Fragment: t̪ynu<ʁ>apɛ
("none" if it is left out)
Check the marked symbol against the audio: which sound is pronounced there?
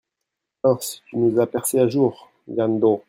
z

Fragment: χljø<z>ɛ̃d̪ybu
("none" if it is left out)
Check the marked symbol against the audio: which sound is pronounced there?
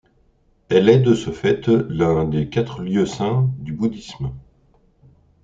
s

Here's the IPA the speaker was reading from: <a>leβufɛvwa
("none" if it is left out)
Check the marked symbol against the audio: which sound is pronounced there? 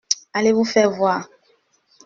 a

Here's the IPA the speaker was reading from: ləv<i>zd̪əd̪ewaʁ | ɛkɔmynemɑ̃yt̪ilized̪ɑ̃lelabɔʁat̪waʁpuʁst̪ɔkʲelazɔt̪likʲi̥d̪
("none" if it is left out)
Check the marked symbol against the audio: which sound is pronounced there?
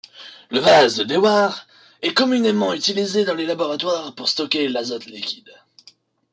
a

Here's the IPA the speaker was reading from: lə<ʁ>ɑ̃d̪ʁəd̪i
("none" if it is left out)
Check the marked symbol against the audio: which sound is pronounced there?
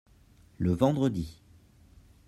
v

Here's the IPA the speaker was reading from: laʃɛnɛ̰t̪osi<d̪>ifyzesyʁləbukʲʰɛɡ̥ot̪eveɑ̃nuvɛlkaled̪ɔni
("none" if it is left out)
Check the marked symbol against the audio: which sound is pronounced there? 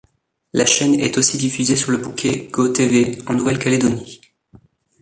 d̪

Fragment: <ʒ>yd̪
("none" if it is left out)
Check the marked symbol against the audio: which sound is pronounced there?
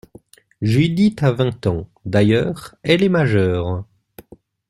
ʒ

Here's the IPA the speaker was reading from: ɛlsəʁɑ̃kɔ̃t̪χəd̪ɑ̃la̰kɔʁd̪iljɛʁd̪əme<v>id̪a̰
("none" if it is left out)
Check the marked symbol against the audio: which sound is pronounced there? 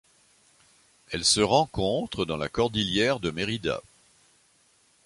ʁ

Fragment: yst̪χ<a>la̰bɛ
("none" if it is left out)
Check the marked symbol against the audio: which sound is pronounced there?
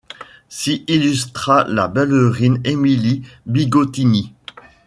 a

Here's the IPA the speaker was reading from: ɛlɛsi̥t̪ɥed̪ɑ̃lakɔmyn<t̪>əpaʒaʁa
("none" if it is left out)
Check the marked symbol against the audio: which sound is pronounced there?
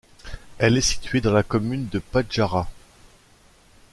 d̪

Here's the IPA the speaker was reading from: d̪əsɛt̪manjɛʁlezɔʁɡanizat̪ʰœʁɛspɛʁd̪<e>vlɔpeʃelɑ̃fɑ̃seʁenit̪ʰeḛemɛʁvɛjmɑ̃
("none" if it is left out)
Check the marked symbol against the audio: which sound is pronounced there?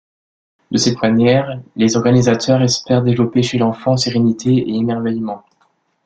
e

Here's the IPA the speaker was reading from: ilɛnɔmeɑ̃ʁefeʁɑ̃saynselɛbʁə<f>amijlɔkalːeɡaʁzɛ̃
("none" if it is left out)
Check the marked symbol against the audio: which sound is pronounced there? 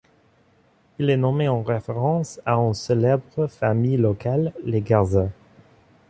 f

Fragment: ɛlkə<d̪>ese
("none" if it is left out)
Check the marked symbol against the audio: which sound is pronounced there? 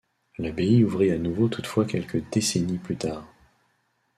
d̪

